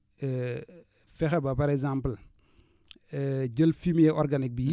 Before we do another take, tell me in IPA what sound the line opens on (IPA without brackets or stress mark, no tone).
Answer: f